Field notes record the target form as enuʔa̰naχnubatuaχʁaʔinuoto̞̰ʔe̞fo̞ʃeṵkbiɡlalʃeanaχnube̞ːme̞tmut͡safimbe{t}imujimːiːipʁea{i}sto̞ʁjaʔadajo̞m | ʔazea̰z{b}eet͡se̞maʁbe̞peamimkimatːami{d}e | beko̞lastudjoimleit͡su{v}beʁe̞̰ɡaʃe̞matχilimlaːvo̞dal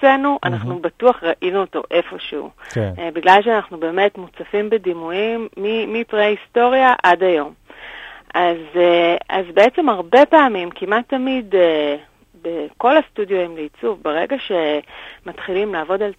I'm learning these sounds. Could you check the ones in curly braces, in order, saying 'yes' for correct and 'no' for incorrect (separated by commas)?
no, yes, yes, yes, yes